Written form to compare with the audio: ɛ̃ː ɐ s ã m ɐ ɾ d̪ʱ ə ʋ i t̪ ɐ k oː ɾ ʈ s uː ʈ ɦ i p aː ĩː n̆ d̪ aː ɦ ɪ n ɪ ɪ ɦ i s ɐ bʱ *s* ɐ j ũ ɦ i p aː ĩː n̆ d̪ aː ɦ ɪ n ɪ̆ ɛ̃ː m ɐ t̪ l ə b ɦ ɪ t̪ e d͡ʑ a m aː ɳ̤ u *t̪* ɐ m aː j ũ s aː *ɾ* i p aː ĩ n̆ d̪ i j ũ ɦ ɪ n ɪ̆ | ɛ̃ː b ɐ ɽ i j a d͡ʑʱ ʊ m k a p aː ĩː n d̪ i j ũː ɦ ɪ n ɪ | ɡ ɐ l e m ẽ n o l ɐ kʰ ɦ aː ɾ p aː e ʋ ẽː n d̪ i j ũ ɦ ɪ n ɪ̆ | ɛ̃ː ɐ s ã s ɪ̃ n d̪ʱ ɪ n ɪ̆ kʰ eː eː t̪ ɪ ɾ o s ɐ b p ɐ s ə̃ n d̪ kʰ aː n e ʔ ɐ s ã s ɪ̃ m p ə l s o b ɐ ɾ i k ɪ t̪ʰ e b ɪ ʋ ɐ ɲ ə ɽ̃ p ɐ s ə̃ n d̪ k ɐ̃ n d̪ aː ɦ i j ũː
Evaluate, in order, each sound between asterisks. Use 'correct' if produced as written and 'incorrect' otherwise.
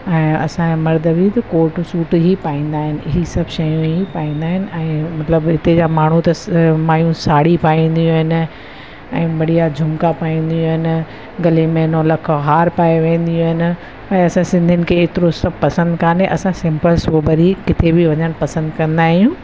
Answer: incorrect, correct, incorrect

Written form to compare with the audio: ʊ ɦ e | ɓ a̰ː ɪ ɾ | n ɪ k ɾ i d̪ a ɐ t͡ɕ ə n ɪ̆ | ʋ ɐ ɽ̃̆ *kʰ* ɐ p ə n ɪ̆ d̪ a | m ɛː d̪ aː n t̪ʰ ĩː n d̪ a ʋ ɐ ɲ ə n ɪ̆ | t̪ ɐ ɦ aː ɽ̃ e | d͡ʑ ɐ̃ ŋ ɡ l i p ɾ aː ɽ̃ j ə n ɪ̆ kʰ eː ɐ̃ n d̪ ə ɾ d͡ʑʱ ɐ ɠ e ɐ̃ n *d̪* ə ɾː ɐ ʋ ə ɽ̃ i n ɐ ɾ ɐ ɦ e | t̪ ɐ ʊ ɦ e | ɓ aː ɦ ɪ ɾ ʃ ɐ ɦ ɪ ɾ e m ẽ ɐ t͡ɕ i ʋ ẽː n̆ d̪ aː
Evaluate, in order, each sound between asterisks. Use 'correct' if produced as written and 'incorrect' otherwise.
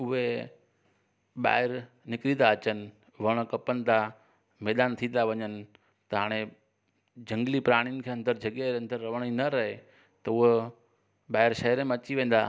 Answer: incorrect, correct

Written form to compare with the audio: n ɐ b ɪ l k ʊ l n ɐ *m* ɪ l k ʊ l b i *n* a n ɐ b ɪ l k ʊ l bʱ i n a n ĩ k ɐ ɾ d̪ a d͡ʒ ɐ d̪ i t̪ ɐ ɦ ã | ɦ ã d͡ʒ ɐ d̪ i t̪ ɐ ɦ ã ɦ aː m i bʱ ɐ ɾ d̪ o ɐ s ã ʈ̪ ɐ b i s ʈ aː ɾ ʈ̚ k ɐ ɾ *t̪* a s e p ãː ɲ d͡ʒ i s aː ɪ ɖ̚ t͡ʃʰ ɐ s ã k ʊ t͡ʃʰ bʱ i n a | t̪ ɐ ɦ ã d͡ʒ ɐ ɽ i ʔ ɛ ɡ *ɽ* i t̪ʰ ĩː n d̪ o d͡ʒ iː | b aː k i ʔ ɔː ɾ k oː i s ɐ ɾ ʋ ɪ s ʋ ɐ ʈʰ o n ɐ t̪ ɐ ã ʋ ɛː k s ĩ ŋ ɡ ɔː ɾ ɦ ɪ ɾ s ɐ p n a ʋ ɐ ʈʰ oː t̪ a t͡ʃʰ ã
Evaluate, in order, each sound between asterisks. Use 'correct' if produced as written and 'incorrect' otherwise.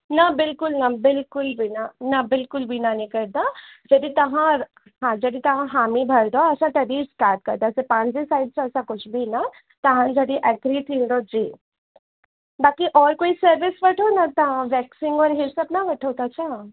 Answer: incorrect, correct, incorrect, incorrect

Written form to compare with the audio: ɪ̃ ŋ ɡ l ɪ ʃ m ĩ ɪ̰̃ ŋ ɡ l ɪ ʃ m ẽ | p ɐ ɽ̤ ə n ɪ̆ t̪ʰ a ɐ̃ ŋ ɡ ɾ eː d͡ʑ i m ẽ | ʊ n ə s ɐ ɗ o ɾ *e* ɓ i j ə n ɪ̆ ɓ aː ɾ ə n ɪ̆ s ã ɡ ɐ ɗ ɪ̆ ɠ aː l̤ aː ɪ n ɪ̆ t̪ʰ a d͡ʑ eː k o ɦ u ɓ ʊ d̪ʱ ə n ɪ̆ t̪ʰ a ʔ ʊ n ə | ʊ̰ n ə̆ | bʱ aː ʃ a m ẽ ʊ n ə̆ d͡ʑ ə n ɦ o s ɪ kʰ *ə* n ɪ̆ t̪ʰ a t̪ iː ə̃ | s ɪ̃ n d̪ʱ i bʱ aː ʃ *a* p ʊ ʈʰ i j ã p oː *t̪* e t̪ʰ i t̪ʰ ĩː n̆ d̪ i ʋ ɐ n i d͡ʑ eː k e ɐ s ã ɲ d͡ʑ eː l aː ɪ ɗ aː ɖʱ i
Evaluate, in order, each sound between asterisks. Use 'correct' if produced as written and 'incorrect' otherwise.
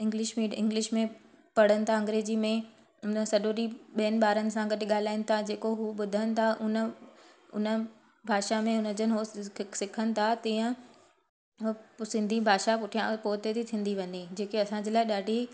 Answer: incorrect, correct, correct, correct

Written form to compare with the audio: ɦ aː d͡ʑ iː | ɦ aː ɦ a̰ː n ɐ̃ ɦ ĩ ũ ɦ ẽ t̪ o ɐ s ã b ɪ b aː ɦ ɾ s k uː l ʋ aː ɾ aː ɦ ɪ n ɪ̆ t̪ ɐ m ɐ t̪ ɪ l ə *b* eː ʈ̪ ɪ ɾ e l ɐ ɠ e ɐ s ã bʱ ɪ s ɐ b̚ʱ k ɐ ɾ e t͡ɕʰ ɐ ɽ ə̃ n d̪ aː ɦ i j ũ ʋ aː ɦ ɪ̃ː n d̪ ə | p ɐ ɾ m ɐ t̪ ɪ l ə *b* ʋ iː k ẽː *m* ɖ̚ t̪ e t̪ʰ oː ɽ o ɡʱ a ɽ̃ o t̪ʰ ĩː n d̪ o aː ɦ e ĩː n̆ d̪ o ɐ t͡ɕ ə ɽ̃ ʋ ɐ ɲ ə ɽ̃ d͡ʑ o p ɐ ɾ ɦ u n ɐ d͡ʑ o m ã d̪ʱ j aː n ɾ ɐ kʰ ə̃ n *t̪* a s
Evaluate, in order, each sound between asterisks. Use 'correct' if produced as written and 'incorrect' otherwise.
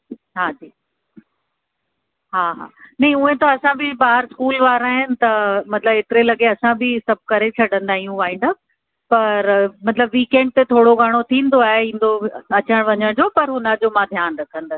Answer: correct, correct, incorrect, incorrect

